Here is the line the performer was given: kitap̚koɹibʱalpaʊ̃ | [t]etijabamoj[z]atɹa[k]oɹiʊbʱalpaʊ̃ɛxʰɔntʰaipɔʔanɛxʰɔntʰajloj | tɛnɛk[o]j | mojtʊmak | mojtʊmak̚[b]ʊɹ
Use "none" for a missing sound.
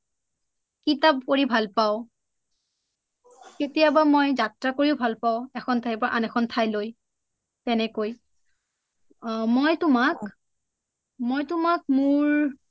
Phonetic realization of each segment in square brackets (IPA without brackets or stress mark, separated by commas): k, z, k, o, m